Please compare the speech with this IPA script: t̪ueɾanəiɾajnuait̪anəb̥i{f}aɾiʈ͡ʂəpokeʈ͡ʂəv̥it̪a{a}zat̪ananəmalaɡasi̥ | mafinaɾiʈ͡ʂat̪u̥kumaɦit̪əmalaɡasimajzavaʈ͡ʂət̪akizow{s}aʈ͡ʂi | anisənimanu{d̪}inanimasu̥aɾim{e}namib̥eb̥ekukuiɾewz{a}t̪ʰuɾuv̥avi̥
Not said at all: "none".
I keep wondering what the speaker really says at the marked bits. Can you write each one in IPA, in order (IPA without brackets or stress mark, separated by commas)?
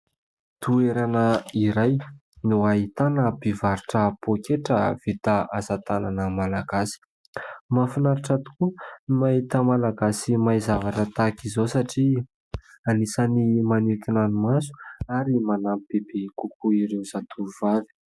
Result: v, a, s, t̪, a, a